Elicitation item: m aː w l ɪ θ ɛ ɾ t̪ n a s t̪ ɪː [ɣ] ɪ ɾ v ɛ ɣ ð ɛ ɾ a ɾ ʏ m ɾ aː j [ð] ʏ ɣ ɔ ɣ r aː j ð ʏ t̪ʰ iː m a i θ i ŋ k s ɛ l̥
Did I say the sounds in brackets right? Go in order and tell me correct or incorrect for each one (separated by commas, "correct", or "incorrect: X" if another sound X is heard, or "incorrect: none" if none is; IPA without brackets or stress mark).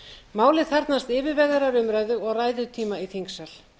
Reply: incorrect: v, correct